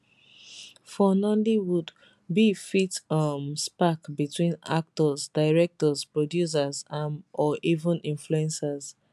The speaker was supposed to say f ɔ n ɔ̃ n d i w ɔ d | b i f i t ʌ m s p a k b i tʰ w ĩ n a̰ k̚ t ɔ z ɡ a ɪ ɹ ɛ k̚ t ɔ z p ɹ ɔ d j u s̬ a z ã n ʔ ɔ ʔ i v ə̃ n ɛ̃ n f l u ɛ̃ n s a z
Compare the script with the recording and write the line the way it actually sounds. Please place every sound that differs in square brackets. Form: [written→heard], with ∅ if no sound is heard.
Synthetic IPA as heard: f ɔ n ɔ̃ n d i w [ɔ→u] d | b i f i t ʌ m s p a k b i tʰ w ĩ n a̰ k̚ t ɔ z [ɡ→d] a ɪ ɹ ɛ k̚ t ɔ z p ɹ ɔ d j u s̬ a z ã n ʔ ɔ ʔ i v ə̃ n [ɛ̃→ĩ] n f l u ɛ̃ n s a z